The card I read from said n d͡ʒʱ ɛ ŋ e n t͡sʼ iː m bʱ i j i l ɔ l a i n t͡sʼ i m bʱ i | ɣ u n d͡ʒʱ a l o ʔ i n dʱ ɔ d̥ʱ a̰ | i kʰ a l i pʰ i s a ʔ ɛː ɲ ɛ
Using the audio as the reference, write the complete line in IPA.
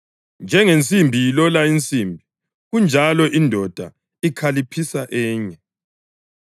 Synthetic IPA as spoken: n d͡ʒʱ ɛ ŋ e n t͡sʼ i m bʱ i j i l ɔ l a i n t͡sʼ i m bʱ i | ɣ u n d͡ʒʱ a l ɔ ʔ i n dʱ ɔ d̥ʱ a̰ | i kʰ a l i pʰ i s a ʔ ɛː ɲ ɛ